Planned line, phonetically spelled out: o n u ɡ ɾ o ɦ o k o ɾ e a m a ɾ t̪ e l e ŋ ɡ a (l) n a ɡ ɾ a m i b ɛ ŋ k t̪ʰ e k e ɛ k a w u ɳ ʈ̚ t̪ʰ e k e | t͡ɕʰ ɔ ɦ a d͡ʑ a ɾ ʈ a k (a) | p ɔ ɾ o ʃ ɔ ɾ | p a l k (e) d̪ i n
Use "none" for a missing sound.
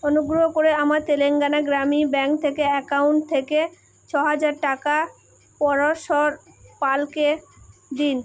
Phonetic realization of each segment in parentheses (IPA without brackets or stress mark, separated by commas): none, a, e